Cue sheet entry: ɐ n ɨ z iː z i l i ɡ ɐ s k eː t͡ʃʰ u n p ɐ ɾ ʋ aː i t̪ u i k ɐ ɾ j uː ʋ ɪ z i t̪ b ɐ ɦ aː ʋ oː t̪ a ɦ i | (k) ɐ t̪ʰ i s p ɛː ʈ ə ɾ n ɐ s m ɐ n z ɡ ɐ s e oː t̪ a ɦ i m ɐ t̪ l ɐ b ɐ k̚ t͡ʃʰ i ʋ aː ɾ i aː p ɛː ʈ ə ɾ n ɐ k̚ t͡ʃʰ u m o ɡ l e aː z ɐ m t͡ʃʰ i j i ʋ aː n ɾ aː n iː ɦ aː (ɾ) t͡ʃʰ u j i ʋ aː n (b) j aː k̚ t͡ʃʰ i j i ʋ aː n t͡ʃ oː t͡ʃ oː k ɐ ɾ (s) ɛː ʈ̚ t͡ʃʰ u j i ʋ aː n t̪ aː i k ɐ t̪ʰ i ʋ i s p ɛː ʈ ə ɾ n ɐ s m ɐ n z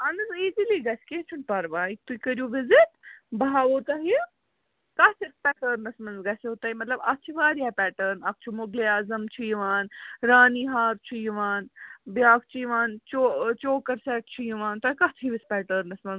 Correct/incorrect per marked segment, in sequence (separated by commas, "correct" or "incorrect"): correct, correct, correct, correct